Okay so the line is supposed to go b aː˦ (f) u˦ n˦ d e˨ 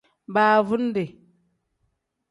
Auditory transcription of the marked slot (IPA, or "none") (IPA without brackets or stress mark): v